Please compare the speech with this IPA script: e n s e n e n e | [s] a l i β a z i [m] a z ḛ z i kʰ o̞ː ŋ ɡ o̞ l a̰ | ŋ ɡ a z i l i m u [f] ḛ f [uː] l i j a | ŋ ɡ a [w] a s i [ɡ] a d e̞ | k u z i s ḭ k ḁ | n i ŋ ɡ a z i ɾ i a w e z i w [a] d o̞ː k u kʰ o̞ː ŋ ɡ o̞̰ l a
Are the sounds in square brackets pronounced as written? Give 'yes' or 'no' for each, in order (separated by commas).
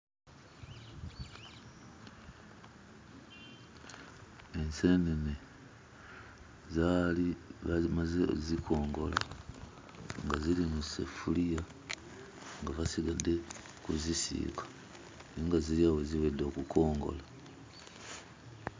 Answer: no, yes, no, no, no, yes, no